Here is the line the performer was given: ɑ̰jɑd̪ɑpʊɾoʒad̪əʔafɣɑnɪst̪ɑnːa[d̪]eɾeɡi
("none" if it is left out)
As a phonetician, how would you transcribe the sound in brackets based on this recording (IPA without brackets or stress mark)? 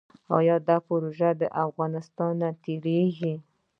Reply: t̪